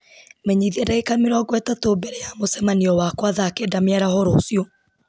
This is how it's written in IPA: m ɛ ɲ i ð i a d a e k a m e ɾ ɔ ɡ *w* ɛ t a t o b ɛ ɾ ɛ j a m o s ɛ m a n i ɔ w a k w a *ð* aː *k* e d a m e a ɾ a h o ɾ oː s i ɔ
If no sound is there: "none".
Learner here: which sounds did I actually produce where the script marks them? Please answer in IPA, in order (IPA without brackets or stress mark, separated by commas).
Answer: w, ð, k